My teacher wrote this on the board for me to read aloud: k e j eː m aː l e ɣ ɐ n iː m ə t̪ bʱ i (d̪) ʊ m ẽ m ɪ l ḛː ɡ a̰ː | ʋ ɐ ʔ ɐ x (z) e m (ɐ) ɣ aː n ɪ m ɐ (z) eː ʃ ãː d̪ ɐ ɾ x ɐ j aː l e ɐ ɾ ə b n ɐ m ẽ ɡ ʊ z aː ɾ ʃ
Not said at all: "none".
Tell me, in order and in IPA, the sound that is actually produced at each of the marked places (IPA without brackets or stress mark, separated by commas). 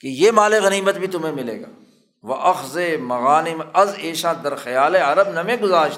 t̪, z, ɐ, z